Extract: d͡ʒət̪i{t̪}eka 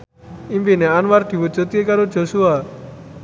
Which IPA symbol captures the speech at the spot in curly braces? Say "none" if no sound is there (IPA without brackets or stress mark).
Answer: none